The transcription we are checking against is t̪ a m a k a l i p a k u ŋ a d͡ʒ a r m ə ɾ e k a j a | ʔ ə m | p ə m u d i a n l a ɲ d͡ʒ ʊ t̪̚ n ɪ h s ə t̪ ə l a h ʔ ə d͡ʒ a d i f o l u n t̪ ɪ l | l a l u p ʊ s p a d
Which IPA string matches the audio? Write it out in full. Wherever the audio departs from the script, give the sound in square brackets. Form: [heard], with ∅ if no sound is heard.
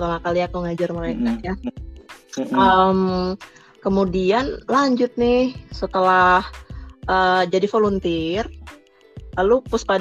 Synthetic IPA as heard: t̪ a m a k a l i [∅] a k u ŋ a d͡ʒ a r m ə ɾ e k a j a | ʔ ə m | [k] ə m u d i a n l a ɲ d͡ʒ ʊ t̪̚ n ɪ h s ə t̪ ə l a h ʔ ə d͡ʒ a d i f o l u n t̪ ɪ [r] | l a l u p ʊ s p a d